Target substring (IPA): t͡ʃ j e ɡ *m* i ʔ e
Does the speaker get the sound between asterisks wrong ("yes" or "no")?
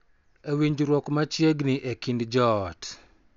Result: yes